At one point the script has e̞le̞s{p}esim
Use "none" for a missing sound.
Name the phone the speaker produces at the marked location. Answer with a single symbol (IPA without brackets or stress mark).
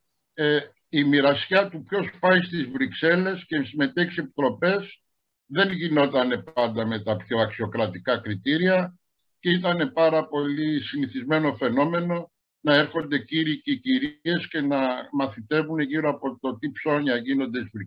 c